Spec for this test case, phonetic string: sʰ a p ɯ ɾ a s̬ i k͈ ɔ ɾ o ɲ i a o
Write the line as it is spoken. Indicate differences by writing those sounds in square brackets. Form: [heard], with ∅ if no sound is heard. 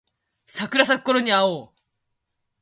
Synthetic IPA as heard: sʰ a [k] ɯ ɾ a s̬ [a] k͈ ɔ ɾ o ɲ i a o